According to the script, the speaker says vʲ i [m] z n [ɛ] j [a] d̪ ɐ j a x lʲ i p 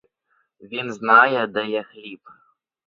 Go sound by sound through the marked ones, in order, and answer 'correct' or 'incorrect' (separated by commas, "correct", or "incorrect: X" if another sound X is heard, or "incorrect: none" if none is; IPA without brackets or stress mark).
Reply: incorrect: n, incorrect: a, incorrect: ɛ